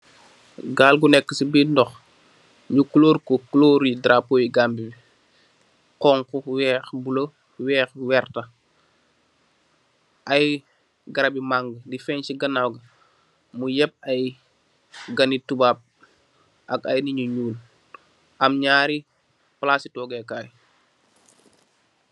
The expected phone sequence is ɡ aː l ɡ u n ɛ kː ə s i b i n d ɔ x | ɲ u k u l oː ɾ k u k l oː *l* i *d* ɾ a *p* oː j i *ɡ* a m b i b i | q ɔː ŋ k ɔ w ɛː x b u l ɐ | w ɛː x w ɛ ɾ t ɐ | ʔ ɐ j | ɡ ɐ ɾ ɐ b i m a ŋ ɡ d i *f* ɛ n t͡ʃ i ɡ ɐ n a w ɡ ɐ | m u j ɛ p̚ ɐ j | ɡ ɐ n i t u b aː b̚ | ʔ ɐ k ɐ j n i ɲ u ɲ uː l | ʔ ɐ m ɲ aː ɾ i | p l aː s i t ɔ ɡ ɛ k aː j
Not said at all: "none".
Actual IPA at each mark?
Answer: ɾ, d, p, ɡ, f

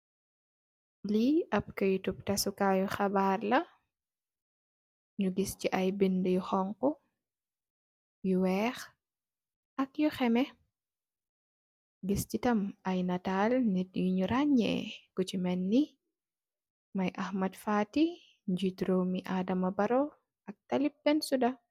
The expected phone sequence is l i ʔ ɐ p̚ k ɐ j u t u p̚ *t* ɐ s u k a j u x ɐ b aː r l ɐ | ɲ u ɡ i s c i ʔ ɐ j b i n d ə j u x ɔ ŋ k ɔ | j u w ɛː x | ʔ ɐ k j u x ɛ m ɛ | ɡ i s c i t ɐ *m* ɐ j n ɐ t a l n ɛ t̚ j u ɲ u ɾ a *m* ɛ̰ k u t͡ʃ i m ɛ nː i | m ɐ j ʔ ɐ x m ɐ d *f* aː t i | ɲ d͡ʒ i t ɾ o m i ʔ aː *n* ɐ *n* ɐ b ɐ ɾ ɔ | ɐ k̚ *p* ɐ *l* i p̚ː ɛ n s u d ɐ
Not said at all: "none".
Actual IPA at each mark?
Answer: t, m, ɲ, f, d, m, t, l

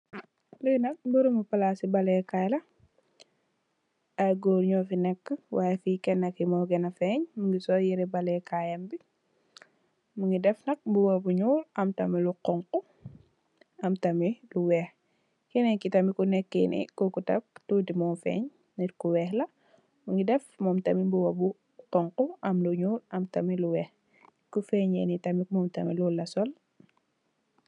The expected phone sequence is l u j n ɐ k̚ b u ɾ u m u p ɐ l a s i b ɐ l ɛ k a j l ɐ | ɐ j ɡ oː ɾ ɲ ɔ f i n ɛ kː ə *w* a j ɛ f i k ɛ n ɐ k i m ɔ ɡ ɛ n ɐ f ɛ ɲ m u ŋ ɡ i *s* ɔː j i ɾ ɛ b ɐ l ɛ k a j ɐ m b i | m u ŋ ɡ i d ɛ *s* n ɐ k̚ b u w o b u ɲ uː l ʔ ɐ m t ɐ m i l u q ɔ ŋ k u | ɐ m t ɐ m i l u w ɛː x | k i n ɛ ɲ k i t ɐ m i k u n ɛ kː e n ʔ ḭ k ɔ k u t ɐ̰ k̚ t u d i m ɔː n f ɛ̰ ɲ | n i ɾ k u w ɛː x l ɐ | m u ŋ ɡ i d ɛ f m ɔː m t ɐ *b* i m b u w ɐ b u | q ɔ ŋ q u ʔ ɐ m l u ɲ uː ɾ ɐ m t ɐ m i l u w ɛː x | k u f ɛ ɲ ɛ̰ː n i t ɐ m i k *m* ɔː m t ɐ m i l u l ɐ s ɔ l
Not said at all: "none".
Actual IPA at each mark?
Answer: w, s, f, m, m

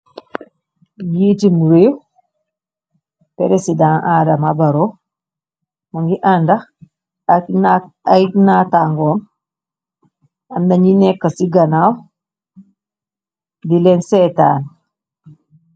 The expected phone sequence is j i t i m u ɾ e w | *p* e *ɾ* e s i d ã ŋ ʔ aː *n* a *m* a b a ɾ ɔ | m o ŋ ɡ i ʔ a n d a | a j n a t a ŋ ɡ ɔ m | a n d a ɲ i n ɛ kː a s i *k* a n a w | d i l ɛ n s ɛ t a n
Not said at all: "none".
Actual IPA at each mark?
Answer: p, ɾ, d, m, ɡ

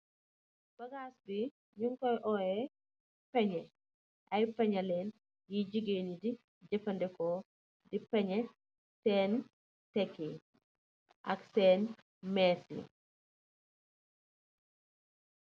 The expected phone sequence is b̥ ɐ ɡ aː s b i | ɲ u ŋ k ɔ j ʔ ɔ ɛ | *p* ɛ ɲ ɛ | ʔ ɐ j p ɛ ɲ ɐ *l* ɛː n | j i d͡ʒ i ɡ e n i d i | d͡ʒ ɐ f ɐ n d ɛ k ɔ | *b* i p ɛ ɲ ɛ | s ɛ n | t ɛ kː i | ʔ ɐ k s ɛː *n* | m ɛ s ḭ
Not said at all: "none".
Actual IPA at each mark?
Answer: p, l, d, n

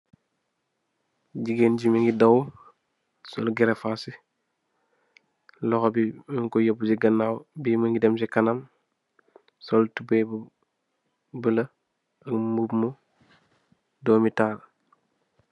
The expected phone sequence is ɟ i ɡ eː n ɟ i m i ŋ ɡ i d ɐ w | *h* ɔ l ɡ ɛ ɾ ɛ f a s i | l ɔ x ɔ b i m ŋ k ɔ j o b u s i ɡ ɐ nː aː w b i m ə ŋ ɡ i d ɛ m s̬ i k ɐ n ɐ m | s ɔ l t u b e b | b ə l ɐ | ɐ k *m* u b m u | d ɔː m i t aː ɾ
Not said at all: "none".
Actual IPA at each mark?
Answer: s, m

